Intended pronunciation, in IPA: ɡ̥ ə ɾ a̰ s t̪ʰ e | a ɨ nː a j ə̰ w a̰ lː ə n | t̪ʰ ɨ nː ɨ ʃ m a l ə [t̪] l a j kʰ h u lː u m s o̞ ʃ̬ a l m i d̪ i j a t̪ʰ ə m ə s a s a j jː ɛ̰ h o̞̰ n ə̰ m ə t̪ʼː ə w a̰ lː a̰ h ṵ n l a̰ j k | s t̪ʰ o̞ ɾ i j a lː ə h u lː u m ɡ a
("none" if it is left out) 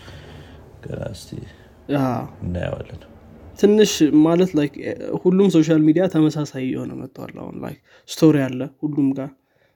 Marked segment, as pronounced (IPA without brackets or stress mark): t̪